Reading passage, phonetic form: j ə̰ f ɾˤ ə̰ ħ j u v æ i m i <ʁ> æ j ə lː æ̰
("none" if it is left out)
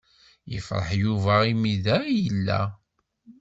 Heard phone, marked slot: ð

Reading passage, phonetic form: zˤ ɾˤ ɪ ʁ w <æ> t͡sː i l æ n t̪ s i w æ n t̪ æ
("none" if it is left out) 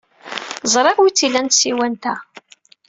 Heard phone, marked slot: i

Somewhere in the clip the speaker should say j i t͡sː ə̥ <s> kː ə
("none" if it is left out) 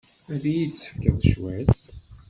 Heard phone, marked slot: f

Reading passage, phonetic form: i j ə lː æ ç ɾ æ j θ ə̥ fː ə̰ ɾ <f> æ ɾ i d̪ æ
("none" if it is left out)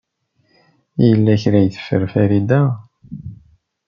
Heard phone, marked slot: f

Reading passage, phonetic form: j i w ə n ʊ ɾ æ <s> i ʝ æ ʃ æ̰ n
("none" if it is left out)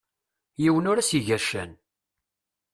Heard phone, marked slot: s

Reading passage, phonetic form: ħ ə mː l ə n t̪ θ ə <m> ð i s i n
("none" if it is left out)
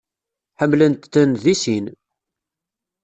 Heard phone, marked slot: n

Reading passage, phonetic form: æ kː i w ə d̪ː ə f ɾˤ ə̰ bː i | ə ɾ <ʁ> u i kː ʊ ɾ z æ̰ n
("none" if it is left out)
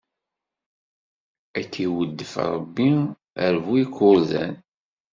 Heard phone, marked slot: v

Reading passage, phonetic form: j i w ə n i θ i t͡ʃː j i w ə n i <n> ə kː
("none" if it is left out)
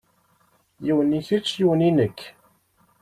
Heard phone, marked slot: n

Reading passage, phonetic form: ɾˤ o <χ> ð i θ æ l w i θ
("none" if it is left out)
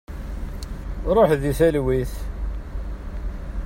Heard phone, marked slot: ħ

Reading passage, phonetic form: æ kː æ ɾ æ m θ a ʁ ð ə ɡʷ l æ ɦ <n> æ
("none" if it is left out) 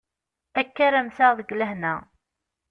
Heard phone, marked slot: n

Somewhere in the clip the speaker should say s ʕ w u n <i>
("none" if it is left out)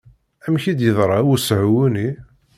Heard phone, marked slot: i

